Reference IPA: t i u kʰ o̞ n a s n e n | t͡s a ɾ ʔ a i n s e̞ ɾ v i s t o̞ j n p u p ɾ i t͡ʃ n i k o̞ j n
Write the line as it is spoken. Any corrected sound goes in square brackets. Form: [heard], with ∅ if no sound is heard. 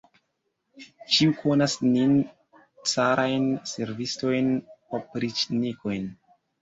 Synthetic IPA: [t͡ʃ] i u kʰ o̞ n a s n [i] n | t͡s a ɾ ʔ a [j] n s e̞ ɾ v i s t o̞ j n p [o] p ɾ i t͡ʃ n i k o̞ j n